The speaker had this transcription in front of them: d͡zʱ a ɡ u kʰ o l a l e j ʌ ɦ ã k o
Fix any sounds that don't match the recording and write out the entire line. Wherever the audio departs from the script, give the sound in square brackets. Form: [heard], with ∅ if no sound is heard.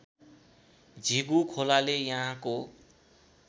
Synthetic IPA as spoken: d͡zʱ [i] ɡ u kʰ o l a l e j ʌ ɦ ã k o